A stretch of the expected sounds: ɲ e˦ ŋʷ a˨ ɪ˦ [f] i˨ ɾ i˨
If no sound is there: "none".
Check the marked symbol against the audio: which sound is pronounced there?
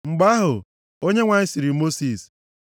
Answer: s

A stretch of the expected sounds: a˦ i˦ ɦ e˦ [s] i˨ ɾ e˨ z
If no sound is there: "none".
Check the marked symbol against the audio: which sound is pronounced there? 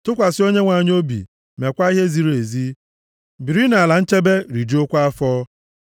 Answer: z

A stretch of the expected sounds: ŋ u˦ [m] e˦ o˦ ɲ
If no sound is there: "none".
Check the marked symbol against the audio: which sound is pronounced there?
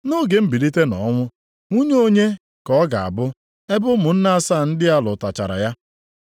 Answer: ɲ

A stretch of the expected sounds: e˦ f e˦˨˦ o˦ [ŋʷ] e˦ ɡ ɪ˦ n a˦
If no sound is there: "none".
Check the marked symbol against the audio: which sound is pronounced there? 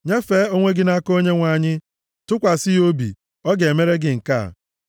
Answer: ŋʷ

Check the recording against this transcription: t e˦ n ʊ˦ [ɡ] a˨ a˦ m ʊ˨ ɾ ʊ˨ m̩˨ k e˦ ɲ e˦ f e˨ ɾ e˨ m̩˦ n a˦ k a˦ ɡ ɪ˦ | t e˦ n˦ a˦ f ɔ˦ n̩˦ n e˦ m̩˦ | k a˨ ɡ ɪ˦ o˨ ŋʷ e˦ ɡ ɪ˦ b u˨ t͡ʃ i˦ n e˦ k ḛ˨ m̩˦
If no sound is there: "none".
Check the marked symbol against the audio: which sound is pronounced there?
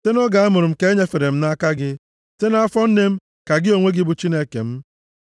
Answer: ɡ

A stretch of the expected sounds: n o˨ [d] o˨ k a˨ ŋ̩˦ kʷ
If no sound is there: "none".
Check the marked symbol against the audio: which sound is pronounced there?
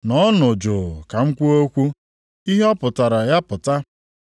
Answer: d͡ʒ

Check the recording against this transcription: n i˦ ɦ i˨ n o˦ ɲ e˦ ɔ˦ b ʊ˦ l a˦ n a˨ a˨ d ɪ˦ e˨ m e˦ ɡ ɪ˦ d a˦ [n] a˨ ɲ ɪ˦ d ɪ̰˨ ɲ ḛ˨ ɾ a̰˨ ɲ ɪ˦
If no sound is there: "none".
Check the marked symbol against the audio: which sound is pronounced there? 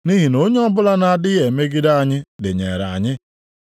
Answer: none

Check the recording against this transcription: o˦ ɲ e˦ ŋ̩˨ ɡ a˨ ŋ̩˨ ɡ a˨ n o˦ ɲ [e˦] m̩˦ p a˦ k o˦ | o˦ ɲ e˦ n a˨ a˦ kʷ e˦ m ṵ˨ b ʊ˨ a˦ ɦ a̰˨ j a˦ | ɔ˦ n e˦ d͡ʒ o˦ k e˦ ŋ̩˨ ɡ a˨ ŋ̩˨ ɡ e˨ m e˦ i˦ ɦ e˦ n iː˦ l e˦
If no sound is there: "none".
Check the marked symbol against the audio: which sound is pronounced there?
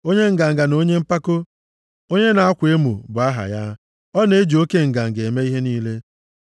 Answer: e˦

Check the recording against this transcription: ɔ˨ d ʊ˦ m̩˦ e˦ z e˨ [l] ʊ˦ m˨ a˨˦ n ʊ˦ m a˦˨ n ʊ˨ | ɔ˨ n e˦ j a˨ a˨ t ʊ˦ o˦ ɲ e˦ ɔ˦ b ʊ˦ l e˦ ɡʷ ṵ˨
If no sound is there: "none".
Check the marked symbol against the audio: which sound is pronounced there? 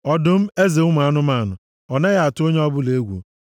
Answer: none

